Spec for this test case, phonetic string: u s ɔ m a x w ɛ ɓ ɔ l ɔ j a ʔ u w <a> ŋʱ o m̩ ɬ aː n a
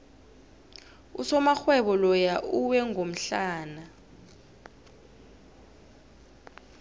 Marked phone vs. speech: incorrect: ɛ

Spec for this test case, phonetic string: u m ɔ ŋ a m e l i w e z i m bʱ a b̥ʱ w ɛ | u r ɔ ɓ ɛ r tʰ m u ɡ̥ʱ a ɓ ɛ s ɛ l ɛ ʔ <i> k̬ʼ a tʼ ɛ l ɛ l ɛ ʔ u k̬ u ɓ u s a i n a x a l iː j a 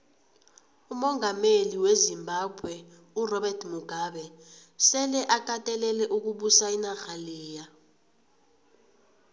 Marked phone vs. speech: incorrect: a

